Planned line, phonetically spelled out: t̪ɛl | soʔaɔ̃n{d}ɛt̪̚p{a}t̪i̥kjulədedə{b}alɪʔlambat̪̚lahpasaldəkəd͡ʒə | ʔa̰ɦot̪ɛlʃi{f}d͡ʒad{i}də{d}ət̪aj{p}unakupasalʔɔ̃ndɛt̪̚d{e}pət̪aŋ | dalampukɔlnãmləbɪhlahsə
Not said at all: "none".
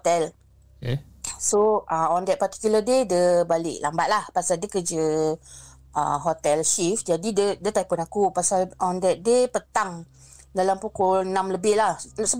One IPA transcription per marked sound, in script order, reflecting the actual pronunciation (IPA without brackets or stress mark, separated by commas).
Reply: d, a, b, f, i, d, p, e